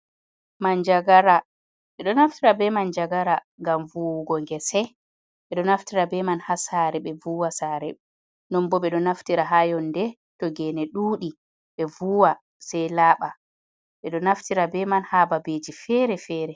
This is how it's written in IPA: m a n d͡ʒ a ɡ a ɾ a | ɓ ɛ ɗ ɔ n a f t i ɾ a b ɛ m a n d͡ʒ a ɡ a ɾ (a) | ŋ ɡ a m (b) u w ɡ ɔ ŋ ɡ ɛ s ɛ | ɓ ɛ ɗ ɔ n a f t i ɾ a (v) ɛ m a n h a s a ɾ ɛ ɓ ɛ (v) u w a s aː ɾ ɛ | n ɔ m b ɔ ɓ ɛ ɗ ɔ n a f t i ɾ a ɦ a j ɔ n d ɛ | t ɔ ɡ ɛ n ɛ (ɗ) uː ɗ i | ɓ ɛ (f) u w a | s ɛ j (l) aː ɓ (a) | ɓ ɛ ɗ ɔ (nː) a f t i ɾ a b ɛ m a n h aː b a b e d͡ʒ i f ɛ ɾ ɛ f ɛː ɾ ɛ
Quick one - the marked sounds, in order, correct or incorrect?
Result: correct, incorrect, incorrect, correct, correct, incorrect, correct, correct, incorrect

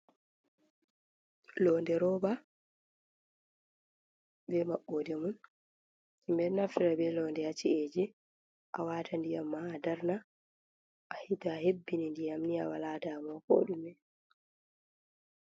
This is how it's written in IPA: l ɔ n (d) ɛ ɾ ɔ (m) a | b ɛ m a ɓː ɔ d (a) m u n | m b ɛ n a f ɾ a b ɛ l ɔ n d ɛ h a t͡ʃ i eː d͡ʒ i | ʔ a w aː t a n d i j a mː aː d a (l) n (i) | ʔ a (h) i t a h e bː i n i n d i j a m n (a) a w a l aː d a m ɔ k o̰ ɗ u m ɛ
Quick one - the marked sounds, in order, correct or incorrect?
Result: correct, incorrect, incorrect, incorrect, incorrect, correct, incorrect

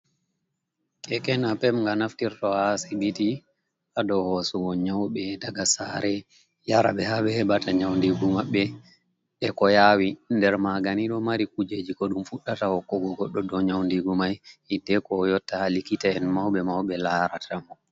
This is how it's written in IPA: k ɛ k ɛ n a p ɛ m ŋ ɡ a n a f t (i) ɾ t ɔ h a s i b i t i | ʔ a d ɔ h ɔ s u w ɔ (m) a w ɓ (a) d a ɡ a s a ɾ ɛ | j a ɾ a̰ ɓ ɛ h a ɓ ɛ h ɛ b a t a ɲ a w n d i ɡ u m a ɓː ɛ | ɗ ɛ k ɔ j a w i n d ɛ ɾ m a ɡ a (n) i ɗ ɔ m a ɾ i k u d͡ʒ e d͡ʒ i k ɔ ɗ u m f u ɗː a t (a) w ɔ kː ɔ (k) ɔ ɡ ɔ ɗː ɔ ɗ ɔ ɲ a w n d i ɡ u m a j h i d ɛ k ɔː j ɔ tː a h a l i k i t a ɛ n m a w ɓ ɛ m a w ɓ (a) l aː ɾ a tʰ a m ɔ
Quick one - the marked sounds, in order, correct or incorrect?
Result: correct, incorrect, incorrect, correct, correct, incorrect, incorrect

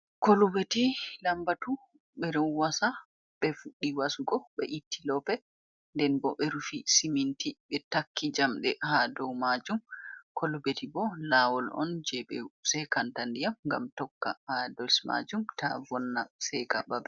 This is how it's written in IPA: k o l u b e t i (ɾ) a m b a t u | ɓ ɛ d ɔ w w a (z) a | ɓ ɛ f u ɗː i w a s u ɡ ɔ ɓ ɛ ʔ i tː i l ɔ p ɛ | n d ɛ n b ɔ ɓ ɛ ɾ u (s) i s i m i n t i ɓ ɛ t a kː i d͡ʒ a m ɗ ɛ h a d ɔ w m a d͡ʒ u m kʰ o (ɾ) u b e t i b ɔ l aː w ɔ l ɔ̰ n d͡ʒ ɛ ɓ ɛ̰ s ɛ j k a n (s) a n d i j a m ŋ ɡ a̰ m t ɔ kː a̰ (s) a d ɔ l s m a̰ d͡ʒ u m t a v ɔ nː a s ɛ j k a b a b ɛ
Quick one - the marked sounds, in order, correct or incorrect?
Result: incorrect, incorrect, incorrect, incorrect, incorrect, incorrect

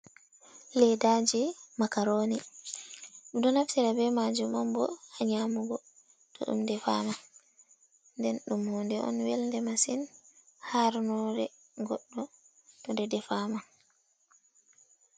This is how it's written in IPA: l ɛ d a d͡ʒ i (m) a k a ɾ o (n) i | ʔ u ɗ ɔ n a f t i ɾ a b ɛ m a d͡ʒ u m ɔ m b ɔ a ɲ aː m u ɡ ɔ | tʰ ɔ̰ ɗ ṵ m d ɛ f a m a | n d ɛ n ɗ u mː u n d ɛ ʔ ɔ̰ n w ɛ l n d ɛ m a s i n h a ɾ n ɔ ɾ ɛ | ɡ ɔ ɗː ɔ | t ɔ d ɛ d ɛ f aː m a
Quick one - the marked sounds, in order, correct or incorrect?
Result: correct, correct

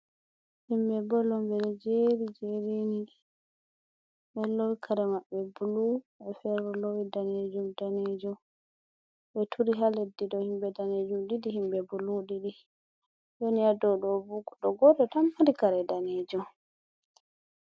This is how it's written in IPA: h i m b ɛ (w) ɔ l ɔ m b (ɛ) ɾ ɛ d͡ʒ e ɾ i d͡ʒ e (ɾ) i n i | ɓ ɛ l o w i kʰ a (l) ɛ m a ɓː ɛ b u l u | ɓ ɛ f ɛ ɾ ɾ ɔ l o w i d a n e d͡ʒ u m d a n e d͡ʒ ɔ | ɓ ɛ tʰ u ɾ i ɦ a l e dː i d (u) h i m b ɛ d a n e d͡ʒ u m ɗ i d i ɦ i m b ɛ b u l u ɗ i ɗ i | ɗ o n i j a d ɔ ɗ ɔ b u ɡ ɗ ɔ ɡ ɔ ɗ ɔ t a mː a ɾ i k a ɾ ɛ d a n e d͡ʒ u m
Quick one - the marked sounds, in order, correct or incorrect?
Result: incorrect, correct, correct, incorrect, incorrect

